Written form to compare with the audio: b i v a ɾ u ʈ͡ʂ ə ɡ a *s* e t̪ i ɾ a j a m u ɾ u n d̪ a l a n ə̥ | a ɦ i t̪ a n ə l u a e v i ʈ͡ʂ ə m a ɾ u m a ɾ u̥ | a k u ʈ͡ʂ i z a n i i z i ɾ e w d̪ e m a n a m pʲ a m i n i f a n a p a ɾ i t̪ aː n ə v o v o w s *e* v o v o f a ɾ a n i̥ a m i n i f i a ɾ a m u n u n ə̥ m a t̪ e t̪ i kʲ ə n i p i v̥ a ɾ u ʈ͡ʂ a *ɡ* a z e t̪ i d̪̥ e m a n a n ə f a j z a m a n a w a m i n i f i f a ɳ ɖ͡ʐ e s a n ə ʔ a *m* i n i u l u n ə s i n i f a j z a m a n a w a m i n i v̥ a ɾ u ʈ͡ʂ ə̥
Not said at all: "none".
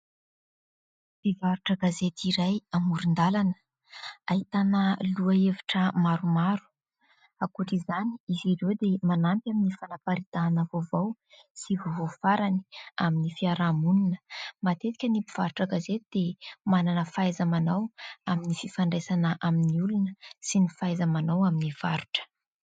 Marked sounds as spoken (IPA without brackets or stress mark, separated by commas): z, i, ɡ, m